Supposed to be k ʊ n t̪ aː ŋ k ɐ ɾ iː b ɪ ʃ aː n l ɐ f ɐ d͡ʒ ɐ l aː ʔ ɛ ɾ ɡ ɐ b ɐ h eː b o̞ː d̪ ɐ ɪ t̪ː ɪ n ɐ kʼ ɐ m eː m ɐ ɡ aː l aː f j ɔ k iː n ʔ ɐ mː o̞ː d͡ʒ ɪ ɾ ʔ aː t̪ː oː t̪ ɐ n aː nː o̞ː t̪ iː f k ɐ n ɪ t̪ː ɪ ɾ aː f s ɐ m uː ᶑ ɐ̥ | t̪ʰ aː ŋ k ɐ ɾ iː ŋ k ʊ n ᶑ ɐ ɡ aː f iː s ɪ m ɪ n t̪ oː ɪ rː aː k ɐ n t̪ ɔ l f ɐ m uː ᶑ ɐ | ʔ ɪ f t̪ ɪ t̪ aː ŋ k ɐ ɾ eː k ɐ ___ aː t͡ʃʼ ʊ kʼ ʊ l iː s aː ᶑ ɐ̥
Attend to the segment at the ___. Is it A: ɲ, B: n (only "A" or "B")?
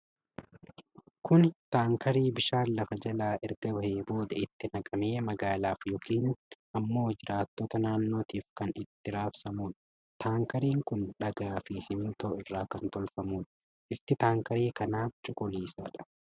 B